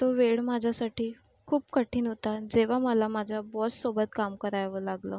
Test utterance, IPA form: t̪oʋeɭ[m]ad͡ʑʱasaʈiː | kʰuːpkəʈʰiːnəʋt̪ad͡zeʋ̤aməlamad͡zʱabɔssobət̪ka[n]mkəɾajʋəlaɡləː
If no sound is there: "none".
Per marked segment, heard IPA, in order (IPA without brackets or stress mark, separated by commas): m, none